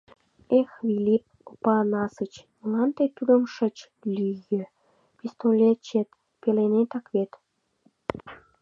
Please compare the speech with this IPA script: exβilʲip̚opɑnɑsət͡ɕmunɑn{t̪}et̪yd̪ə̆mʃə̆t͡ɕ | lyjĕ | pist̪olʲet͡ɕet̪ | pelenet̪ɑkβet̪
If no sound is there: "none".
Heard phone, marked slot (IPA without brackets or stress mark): t̪